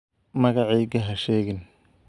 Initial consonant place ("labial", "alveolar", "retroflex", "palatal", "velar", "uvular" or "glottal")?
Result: labial